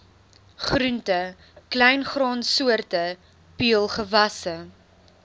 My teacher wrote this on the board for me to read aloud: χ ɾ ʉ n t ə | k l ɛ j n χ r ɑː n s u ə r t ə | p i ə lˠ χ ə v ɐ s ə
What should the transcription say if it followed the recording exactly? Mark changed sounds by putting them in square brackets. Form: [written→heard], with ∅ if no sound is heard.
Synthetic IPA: χ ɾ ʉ n t ə | k l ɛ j n χ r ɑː n s u ə r t ə | p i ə lˠ χ ə v ɐ s ə